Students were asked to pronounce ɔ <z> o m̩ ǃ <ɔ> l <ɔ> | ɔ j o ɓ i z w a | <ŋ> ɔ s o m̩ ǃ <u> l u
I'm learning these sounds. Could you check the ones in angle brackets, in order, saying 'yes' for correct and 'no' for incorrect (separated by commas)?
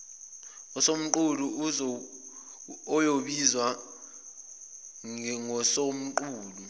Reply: no, no, no, yes, no